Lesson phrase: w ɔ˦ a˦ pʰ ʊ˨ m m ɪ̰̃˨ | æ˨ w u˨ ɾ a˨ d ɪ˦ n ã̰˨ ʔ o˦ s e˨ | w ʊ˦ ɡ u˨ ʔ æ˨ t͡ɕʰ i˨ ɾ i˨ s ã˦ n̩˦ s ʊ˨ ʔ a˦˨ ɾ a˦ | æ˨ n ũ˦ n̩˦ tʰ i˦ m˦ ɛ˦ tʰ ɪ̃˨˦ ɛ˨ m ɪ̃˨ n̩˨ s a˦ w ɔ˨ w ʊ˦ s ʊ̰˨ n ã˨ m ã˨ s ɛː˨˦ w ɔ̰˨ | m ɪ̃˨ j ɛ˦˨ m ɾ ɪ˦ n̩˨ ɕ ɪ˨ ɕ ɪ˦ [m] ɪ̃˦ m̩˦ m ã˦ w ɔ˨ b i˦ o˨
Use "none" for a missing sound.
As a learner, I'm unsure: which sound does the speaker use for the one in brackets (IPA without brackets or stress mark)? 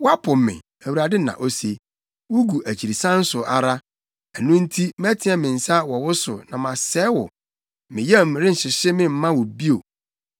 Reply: m